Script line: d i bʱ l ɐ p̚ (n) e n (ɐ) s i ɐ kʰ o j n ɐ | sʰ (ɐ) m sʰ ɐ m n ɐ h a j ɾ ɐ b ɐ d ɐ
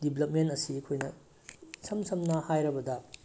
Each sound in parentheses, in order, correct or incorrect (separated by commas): incorrect, correct, correct